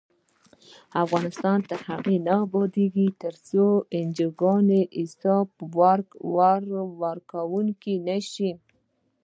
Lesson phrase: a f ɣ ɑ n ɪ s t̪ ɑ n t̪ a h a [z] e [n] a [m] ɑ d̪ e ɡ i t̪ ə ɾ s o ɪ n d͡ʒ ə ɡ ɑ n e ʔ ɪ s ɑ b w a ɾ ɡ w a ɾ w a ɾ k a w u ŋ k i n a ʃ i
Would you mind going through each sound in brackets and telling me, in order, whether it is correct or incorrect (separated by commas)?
incorrect, correct, incorrect